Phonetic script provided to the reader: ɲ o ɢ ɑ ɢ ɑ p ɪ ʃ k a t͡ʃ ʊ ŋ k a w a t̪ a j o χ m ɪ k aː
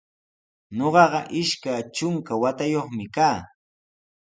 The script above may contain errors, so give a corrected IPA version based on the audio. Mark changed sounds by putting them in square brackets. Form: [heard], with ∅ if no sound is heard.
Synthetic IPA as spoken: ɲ o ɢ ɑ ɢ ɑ [ʔ] ɪ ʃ k a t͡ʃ ʊ ŋ k a w a t̪ a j o χ m ɪ k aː